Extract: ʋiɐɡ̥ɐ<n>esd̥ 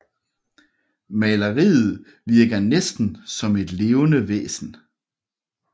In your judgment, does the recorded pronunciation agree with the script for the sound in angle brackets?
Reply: yes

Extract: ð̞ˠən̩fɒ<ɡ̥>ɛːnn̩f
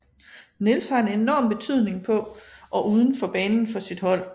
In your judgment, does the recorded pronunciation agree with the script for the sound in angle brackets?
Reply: no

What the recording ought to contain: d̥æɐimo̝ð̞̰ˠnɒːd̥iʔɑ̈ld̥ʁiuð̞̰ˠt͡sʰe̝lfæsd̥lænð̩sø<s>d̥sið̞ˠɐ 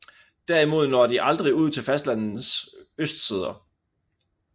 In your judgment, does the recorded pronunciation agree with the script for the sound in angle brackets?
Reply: yes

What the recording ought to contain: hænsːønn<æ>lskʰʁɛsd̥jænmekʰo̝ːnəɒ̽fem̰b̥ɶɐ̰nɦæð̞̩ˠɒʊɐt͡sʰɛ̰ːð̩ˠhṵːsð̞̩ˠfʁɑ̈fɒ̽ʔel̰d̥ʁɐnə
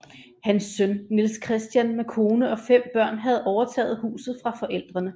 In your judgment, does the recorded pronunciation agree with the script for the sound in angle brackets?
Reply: no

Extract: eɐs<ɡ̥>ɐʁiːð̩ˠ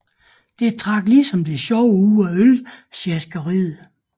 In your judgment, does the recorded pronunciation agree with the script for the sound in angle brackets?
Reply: yes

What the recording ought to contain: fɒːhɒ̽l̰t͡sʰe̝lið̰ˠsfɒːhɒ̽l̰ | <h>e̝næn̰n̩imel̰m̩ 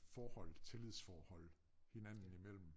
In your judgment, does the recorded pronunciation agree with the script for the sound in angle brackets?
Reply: yes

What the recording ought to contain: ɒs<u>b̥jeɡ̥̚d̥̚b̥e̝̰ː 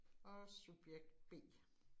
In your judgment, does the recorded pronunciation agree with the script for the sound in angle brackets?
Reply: yes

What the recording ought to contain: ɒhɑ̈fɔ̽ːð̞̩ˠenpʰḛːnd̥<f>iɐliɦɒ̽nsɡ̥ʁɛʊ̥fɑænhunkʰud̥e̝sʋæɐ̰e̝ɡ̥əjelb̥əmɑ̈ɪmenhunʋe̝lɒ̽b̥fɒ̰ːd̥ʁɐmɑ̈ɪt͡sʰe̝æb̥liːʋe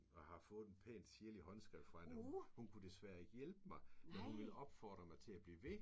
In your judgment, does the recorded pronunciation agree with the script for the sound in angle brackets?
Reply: no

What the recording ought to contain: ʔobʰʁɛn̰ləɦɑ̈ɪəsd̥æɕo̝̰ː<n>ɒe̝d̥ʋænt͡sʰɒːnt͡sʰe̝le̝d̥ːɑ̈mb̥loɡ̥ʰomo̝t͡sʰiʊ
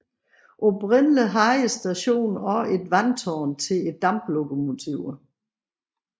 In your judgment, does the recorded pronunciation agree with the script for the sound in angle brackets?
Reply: yes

